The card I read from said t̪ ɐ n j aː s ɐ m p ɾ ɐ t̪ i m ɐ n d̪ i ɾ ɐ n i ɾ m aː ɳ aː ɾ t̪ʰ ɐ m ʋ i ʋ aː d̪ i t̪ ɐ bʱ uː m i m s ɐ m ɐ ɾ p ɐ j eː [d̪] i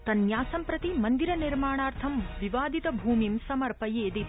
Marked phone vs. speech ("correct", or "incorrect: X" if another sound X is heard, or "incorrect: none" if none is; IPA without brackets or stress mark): correct